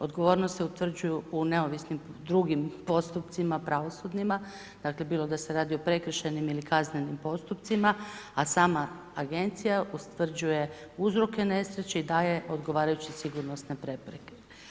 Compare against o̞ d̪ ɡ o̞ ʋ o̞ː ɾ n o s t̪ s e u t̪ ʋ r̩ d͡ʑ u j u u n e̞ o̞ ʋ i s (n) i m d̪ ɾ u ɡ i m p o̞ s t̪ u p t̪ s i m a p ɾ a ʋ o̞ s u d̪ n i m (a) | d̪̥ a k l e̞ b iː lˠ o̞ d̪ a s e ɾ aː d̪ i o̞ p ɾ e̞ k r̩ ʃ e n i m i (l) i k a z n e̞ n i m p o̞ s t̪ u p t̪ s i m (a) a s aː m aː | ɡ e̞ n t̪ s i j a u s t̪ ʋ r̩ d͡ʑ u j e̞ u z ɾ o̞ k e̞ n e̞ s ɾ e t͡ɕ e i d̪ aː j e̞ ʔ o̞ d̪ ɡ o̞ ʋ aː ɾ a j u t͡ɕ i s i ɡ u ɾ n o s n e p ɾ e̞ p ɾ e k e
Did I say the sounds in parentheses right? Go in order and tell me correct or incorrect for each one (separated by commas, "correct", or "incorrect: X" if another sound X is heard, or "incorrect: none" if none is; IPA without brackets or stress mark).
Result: correct, correct, correct, correct